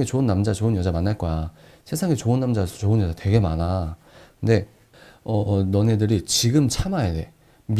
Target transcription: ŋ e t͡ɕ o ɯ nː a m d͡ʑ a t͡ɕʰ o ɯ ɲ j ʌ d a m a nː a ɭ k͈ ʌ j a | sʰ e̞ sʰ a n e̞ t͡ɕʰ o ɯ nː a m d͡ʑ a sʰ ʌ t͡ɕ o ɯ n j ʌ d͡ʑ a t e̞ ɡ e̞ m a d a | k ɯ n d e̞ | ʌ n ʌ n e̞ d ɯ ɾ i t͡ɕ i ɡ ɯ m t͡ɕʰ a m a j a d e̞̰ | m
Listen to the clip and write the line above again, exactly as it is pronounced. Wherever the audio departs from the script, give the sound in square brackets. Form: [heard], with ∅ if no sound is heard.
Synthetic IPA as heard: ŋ e t͡ɕ o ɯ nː a m d͡ʑ a [t͡ɕ] o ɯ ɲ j ʌ [d͡ʑ] a m a nː a ɭ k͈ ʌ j a | sʰ e̞ sʰ a [ŋ] e̞ [t͡ɕ] o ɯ nː a m d͡ʑ a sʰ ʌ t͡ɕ o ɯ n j ʌ d͡ʑ a t e̞ ɡ e̞ m a [n] a | k ɯ n d e̞ | ʌ n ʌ n e̞ d ɯ ɾ i t͡ɕ i ɡ ɯ m t͡ɕʰ a m a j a d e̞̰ | m